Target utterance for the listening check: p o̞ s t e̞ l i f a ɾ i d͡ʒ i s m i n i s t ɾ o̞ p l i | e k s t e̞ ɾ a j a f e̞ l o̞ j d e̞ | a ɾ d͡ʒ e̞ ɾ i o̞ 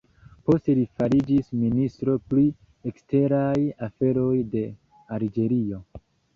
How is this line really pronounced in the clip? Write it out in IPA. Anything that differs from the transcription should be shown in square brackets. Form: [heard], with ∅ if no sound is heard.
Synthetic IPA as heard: p o̞ s t e̞ l i f a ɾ i d͡ʒ i s m i n i s t ɾ o̞ p l i | e k s t e̞ ɾ a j a f e̞ [ɾ] o̞ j d e̞ | a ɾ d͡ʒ e̞ ɾ i o̞

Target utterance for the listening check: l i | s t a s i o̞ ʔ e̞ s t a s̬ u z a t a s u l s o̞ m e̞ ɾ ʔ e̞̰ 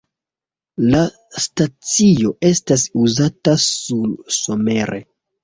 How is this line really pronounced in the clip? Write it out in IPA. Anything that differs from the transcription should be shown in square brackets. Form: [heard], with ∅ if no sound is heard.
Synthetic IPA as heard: l [a] | s t a [t͡s] i o̞ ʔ e̞ s t a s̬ u z a t a s u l s o̞ m e̞ ɾ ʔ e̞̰

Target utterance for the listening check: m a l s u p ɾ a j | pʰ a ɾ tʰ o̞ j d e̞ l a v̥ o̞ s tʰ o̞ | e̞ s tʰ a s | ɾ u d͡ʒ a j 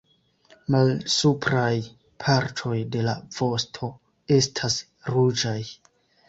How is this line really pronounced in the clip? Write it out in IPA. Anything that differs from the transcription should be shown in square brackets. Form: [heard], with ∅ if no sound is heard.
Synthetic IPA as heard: m a l s u p ɾ a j | pʰ a ɾ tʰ o̞ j d e̞ l a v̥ o̞ s tʰ o̞ | e̞ s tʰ a s | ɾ u d͡ʒ a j

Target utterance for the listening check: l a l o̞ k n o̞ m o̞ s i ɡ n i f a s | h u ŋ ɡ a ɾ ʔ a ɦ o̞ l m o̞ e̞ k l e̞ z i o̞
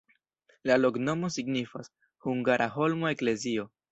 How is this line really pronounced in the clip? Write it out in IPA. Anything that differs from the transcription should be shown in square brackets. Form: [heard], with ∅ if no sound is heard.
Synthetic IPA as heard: l a l o̞ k n o̞ m o̞ s i ɡ n i f a s | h u ŋ ɡ a ɾ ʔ a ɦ o̞ l m o̞ e̞ k l e̞ z i o̞

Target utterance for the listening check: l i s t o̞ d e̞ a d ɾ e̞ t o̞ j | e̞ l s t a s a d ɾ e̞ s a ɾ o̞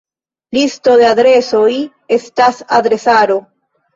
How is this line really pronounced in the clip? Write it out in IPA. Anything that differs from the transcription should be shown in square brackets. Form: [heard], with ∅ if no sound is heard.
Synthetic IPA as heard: l i s t o̞ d e̞ a d ɾ e̞ [s] o̞ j | e̞ [∅] s t a s a d ɾ e̞ s a ɾ o̞

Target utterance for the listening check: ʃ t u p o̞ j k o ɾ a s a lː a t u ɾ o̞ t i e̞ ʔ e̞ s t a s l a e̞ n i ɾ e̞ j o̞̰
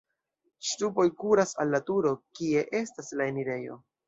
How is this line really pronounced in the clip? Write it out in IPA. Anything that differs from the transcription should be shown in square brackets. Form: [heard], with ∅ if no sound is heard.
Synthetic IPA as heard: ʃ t u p o̞ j k [u] ɾ a s a lː a t u ɾ o̞ [k] i e̞ ʔ e̞ s t a s l a e̞ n i ɾ e̞ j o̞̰

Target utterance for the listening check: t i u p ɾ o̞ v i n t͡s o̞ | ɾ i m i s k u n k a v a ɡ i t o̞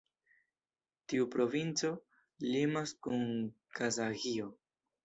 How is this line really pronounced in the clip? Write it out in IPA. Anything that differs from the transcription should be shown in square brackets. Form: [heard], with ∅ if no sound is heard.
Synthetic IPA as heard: t i u p ɾ o̞ v i n t͡s o̞ | [l] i m [a] s k u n k a [z] a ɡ i [∅] o̞

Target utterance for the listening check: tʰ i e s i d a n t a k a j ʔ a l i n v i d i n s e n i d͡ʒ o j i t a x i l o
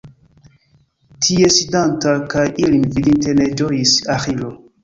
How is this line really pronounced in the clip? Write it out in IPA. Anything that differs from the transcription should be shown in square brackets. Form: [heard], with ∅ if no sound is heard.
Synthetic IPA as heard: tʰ i e s i d a n t a k a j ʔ [i] l i n v i d i n [t] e n [e] d͡ʒ o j i [s] a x i l o

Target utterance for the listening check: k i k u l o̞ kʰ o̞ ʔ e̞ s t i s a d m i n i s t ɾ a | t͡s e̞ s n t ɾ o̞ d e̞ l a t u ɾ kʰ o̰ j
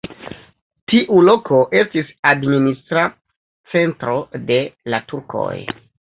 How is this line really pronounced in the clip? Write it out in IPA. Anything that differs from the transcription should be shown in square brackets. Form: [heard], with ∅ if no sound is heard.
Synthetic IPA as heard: [t] i [ʔ] u l o̞ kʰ o̞ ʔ e̞ s t i s a d m i n i s t ɾ a | t͡s e̞ [∅] n t ɾ o̞ d e̞ l a t u ɾ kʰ o̰ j

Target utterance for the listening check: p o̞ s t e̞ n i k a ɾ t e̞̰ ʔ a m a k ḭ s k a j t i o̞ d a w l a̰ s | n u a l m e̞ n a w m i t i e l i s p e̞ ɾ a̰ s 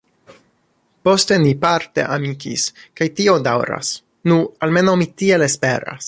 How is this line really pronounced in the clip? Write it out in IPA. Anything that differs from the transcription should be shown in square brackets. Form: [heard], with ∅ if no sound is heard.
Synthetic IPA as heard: p o̞ s t e̞ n i [p] a ɾ t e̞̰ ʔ a m [i] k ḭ s k a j t i o̞ d a w [ɾ] a̰ s | n u a l m e̞ n a w m i t i e l [e] s p e̞ ɾ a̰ s

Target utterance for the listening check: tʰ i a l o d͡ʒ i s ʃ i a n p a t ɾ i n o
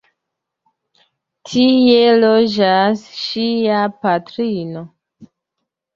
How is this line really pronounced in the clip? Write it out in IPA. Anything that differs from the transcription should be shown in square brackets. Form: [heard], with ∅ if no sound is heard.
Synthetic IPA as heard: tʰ i [e] l o d͡ʒ [a] s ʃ i a [∅] p a t ɾ i n o

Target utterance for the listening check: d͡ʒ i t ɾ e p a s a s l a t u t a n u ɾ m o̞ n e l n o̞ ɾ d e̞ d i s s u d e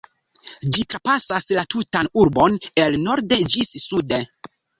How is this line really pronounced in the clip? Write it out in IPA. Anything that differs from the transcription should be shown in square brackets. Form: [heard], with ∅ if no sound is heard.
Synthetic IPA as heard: d͡ʒ i t ɾ [a] p a s a s l a t u t a n u ɾ [b] o̞ n e l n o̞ ɾ d e̞ [d͡ʒ] i s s u d e

